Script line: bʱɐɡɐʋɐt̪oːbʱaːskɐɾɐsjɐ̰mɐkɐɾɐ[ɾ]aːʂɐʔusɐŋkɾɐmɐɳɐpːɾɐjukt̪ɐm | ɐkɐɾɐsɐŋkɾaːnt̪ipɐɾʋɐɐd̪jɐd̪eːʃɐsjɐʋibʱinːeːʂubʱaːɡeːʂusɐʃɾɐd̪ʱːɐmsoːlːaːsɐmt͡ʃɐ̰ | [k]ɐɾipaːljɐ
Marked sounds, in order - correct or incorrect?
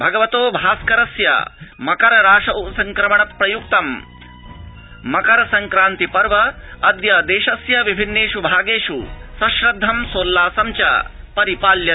correct, incorrect

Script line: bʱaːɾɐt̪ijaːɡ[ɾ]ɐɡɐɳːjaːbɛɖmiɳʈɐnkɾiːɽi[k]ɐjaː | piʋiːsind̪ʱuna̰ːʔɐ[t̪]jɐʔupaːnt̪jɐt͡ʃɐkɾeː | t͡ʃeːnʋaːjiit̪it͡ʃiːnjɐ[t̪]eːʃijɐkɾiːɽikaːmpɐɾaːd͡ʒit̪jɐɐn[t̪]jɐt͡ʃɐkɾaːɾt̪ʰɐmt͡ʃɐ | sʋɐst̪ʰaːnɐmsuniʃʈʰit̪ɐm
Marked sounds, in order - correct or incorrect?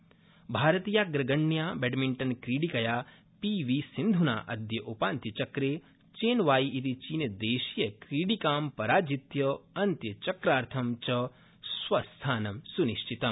correct, correct, incorrect, incorrect, correct

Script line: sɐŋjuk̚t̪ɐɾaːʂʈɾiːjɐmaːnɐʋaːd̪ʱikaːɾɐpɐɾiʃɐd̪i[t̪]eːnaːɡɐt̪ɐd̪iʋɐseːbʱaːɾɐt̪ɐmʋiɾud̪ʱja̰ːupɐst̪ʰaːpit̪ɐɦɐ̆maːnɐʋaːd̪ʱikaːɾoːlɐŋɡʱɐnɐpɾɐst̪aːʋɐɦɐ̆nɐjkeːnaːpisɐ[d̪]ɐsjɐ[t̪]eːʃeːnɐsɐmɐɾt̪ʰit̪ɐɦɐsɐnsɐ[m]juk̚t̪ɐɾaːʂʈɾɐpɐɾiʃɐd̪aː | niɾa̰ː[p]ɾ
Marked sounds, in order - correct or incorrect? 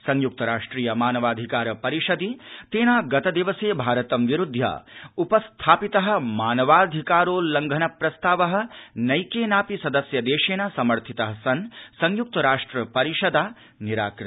correct, correct, incorrect, incorrect, incorrect

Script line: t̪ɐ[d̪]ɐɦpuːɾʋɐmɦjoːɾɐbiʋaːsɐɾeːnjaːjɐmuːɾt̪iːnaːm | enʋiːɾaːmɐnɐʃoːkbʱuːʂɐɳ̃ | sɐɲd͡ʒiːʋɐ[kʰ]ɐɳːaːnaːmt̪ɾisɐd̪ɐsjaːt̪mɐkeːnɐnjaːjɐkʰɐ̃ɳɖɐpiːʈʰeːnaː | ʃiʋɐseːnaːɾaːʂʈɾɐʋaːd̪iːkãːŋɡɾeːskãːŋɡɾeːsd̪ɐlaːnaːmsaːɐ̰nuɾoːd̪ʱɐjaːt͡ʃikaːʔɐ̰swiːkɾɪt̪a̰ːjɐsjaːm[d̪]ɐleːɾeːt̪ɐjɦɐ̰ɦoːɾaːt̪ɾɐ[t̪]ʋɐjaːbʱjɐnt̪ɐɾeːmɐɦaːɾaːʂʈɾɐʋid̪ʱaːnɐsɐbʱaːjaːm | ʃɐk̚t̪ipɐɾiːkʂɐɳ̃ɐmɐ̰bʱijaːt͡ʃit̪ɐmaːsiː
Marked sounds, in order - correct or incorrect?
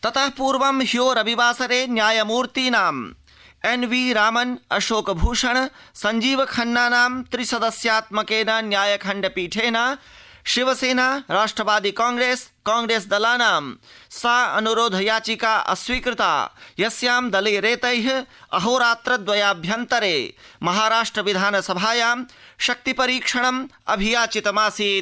incorrect, correct, correct, incorrect

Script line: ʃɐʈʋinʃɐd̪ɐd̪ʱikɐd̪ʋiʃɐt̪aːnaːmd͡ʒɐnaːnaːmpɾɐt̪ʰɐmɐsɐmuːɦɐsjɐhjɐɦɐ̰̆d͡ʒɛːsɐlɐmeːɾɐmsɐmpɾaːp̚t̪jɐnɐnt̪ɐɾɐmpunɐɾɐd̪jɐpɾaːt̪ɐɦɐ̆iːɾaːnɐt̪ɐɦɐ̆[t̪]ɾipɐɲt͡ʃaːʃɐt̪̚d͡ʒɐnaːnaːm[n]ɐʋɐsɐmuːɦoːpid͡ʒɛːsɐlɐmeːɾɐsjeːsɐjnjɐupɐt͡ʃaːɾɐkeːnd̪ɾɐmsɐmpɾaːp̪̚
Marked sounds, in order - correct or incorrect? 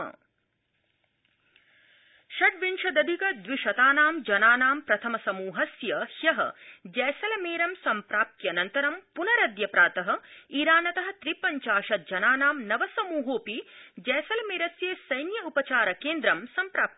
correct, correct

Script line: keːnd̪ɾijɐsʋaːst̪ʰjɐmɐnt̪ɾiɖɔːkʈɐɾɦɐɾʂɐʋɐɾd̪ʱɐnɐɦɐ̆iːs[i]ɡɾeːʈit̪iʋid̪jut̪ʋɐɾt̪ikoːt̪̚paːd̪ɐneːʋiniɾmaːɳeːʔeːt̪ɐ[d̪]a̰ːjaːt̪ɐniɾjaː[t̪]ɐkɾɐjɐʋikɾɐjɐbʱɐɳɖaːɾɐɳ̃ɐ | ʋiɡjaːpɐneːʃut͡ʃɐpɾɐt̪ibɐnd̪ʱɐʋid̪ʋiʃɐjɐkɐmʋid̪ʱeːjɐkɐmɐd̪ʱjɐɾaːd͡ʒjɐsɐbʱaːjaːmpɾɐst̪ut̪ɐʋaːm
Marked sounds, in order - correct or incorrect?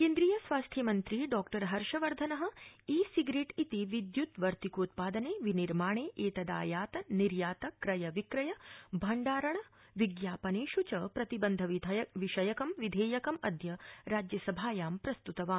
correct, correct, correct

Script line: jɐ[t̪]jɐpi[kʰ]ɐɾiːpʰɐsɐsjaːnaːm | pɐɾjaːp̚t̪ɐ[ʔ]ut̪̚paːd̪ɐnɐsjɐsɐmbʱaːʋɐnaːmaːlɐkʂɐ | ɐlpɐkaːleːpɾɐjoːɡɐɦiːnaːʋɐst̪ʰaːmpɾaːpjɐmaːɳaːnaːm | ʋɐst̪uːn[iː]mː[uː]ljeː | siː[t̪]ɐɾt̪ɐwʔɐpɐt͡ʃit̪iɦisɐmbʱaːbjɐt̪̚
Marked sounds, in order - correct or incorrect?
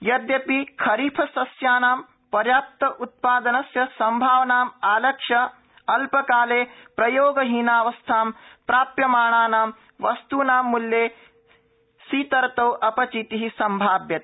incorrect, correct, correct, incorrect, incorrect, correct

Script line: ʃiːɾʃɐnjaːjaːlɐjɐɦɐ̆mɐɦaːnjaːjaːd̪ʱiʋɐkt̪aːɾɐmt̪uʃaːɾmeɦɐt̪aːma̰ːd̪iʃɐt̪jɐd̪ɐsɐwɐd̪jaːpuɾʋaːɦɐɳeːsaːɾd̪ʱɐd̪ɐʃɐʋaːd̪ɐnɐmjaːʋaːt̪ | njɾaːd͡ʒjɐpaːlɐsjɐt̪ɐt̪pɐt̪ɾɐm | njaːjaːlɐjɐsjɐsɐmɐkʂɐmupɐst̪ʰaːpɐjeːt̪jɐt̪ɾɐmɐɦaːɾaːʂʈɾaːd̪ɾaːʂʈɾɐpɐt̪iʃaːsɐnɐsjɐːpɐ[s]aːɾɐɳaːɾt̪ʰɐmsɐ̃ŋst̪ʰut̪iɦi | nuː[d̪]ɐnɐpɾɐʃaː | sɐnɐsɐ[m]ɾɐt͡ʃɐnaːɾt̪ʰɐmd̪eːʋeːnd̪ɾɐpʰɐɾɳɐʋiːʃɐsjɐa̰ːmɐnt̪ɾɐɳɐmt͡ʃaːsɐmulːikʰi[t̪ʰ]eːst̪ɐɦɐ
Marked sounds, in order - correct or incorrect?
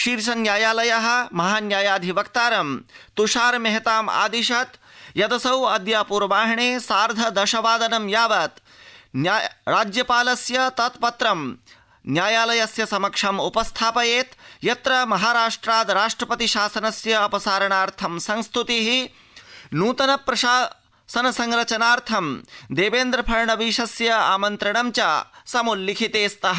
correct, incorrect, incorrect, incorrect

